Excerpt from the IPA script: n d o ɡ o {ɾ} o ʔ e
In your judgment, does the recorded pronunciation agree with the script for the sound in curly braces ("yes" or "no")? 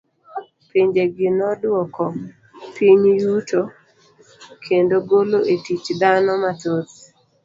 no